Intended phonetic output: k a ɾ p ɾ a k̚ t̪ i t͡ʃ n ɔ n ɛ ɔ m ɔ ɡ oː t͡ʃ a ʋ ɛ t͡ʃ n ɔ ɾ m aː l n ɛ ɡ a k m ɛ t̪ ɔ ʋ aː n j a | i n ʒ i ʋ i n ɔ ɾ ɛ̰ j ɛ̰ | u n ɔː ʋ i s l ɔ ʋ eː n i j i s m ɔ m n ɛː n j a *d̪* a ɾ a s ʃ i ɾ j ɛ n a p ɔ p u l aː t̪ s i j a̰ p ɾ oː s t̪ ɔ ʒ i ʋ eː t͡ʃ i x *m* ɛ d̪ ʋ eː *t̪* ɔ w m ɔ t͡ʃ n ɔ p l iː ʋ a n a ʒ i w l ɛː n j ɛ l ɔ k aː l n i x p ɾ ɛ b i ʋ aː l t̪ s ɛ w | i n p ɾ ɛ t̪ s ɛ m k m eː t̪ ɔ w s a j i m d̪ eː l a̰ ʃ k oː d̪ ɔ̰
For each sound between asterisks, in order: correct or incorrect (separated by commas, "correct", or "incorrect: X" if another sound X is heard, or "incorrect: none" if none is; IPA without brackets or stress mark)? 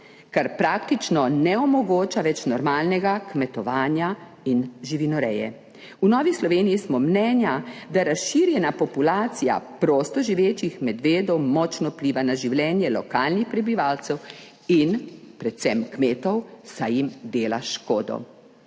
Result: correct, correct, incorrect: d̪